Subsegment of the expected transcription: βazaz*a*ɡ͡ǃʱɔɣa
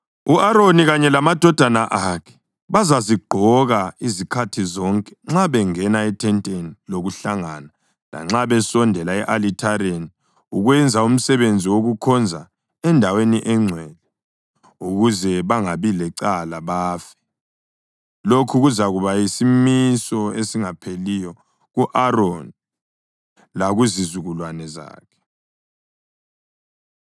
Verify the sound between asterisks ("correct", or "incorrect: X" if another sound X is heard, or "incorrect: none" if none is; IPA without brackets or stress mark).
incorrect: i